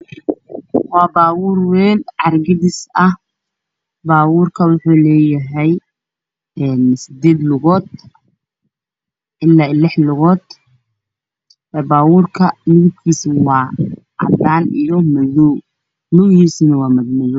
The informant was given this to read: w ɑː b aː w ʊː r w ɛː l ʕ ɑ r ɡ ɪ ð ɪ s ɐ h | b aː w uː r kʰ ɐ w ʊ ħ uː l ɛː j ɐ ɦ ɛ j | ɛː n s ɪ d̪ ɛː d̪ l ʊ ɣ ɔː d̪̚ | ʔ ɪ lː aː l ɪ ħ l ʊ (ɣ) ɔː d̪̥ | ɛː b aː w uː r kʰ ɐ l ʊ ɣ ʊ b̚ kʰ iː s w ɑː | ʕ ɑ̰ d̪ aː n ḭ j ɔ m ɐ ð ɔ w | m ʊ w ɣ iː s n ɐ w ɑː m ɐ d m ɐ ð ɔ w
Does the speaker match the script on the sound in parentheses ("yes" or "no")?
yes